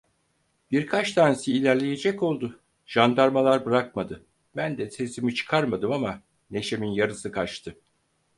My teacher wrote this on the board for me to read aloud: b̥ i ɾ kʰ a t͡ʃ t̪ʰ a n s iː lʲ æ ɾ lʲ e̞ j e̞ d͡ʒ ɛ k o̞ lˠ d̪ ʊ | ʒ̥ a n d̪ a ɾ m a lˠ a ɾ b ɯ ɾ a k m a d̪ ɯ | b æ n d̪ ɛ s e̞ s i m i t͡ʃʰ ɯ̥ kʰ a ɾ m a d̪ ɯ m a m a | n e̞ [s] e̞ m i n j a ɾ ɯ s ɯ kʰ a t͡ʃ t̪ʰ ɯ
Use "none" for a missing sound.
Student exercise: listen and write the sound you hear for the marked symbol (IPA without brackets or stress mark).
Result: ʃ